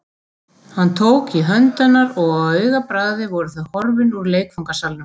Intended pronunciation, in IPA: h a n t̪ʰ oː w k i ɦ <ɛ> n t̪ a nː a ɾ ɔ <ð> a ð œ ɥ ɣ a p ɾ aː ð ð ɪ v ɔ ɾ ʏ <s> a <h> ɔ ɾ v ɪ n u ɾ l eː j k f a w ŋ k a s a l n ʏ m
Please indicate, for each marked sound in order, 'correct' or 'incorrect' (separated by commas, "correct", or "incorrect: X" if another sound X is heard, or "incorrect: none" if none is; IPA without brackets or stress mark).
incorrect: œ, incorrect: ɣ, incorrect: θ, correct